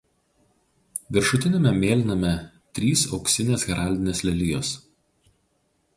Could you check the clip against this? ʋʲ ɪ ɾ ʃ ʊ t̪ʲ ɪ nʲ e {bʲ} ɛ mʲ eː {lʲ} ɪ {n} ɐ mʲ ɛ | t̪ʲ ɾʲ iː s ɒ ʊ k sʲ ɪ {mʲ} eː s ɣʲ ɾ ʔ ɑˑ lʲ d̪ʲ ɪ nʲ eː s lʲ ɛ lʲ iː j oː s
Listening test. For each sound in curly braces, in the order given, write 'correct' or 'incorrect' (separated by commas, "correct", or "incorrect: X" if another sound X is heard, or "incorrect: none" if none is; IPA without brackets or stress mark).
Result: incorrect: mʲ, correct, correct, incorrect: nʲ